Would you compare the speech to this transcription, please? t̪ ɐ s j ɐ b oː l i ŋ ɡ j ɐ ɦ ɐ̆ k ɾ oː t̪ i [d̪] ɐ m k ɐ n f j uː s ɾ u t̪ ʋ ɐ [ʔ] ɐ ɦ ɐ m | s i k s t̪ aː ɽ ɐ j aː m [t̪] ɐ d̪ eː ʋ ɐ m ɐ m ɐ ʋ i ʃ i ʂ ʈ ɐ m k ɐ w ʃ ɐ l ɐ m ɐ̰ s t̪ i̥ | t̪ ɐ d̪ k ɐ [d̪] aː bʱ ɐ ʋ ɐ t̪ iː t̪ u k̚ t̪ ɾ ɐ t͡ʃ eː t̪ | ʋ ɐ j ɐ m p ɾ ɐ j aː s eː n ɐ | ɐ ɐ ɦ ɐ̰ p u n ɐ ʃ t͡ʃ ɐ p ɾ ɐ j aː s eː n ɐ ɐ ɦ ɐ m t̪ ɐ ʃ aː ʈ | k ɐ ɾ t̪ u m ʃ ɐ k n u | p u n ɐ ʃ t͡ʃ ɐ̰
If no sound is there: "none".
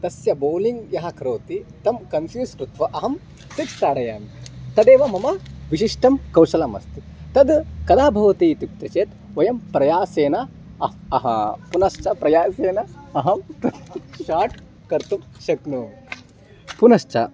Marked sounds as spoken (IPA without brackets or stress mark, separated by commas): t̪, ʔ, t̪, d̪